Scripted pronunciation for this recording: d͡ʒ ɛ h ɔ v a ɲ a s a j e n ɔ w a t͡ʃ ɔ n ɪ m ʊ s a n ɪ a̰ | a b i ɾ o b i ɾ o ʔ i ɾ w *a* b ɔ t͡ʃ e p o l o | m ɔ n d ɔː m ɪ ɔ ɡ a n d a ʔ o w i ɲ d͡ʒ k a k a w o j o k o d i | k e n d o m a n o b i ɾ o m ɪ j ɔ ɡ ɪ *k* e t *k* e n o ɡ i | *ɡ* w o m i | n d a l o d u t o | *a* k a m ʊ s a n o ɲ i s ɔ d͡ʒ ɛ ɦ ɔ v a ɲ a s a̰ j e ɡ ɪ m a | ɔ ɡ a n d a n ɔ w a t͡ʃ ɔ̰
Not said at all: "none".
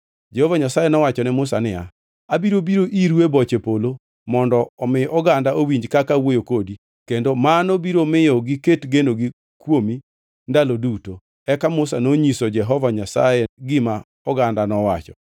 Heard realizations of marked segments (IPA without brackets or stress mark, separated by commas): e, k, ɡ, k, ɛ